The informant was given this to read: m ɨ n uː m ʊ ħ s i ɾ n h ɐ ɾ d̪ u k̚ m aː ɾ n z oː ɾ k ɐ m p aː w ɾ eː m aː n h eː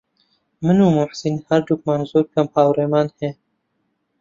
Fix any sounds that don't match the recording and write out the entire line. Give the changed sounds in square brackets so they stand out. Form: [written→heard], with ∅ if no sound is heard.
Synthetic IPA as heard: m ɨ n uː m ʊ ħ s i [ɾ→∅] n h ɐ ɾ d̪ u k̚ m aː [ɾ→∅] n z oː ɾ k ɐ m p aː w ɾ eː m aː n h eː